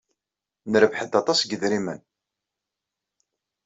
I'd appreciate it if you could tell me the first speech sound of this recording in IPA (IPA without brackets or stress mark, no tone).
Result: n